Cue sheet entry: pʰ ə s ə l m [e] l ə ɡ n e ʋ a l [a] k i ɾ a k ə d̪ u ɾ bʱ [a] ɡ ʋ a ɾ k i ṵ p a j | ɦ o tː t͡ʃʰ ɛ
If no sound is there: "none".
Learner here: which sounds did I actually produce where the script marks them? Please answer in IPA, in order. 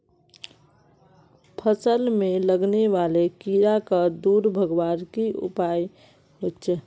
e, e, ə

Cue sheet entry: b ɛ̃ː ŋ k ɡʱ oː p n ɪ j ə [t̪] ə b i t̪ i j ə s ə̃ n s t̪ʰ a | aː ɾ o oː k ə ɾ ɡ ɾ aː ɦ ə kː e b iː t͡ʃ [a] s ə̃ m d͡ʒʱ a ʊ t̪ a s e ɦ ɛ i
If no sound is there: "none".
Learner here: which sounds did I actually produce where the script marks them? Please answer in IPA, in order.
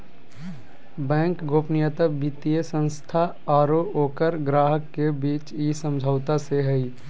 t̪, i

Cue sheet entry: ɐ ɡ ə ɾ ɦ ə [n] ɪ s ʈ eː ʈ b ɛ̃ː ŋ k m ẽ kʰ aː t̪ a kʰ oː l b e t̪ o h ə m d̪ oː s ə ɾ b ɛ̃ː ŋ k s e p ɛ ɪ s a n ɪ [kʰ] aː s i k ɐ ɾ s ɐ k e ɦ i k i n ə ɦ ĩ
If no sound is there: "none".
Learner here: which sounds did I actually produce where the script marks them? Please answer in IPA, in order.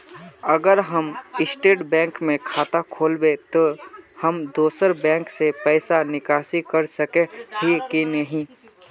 m, k

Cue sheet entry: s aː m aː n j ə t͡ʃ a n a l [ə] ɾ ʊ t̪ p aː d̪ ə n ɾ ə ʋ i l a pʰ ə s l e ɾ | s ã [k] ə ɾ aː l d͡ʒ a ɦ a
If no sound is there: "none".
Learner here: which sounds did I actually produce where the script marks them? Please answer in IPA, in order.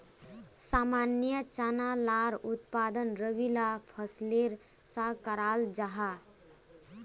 a, k

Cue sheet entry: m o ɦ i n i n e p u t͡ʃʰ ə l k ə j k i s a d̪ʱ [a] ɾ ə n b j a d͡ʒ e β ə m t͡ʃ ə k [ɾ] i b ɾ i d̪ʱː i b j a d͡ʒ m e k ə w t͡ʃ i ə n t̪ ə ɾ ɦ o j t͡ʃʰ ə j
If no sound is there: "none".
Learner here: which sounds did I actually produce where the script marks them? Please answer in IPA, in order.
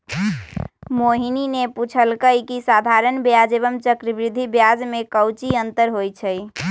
a, ɾ

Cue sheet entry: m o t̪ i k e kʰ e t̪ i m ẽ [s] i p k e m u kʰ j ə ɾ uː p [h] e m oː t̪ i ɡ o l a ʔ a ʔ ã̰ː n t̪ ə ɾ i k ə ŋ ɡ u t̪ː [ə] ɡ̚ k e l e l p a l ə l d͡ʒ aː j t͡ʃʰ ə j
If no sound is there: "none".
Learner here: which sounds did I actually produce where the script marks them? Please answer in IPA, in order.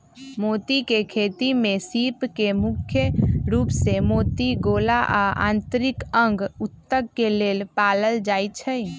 s, s, ə

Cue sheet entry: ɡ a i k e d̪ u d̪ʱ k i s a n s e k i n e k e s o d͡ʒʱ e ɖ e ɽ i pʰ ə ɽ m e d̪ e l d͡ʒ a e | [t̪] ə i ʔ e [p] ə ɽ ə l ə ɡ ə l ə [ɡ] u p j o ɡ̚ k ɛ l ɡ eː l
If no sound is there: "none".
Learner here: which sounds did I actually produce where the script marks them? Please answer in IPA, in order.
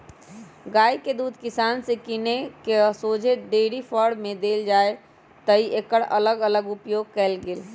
t̪, k, ɡ

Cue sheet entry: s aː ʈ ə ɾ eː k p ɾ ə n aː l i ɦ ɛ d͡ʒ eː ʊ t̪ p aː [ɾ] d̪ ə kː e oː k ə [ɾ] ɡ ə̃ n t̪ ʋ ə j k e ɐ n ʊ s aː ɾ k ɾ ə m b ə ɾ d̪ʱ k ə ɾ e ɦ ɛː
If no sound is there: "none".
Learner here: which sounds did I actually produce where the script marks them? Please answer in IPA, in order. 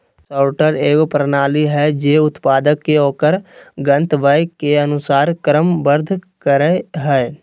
none, ɾ

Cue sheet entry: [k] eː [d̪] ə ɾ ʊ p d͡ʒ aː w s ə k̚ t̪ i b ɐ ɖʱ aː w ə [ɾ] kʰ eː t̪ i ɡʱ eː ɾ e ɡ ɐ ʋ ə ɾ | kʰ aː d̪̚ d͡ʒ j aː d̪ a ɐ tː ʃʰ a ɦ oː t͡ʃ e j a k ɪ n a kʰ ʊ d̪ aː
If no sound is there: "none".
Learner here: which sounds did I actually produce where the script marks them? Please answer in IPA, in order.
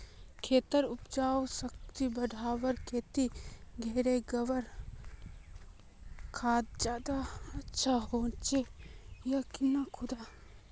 kʰ, t̪, ɾ

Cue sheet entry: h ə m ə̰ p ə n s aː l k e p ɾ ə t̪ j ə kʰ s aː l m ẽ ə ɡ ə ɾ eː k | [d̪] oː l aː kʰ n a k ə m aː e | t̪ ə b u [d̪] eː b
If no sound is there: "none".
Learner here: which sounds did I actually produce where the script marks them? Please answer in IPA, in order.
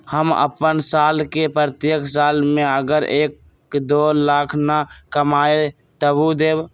d̪, d̪

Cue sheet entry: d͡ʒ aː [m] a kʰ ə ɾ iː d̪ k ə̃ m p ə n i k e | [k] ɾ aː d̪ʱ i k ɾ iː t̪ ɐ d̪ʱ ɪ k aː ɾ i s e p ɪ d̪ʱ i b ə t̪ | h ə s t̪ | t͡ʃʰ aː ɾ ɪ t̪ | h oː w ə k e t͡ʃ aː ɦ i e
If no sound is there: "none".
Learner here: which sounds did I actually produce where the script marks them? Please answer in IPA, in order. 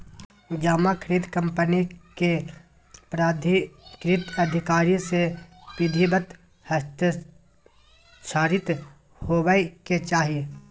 m, p

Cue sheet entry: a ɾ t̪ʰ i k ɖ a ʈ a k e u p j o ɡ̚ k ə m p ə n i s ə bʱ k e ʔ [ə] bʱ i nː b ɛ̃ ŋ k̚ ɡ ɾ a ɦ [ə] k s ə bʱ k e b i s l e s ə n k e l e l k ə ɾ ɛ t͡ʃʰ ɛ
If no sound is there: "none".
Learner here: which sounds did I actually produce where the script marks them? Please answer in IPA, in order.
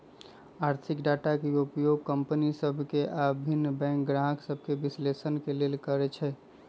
a, ə

